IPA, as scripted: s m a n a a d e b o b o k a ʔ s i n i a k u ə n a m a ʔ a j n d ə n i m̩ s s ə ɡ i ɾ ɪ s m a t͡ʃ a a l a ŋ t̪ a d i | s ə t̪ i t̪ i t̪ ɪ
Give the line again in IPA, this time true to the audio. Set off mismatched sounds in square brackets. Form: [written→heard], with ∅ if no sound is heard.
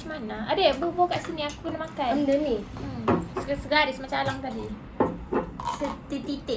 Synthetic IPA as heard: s m a n a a d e b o b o k a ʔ s i n i a k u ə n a m a [ʔ→k] a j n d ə n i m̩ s s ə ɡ [i→a] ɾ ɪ s m a t͡ʃ a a l a ŋ t̪ a d i | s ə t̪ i t̪ i t̪ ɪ